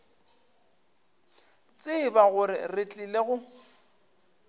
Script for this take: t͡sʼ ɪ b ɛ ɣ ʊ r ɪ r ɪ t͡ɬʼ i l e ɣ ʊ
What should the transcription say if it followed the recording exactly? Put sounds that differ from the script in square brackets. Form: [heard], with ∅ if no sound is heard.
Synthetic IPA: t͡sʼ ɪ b [a] ɣ ʊ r ɪ r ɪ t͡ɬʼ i l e ɣ ʊ